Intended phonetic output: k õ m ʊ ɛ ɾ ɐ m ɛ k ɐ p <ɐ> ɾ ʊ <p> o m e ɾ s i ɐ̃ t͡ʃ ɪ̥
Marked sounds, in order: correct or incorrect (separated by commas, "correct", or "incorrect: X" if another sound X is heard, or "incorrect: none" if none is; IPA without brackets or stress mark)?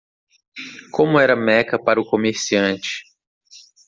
incorrect: a, incorrect: k